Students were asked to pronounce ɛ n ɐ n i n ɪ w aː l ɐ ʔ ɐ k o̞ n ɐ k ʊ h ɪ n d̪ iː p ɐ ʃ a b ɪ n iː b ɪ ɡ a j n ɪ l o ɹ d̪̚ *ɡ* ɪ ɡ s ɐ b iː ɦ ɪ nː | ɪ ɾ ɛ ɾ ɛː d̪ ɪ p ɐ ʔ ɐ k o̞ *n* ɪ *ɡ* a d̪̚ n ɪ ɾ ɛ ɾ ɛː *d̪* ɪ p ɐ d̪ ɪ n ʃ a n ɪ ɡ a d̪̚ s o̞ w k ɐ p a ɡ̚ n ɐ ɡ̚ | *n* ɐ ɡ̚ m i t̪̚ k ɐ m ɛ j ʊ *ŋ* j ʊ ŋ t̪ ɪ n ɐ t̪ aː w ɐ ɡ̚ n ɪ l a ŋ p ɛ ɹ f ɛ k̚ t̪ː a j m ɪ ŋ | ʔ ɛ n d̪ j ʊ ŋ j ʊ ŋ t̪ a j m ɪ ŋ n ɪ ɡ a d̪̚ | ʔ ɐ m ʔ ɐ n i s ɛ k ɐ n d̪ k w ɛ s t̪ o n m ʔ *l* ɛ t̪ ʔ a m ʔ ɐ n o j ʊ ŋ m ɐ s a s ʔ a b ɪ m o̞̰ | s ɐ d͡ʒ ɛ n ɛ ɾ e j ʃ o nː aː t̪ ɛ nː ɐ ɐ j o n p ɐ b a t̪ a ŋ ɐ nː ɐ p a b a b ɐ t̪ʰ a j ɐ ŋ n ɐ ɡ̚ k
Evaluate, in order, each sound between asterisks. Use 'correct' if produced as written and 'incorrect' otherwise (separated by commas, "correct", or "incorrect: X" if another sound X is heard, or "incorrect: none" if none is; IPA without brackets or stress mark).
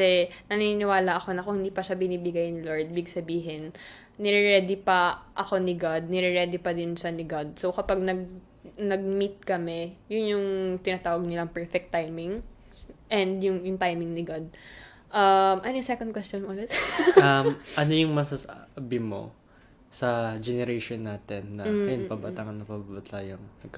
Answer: incorrect: b, correct, correct, correct, correct, incorrect: n, correct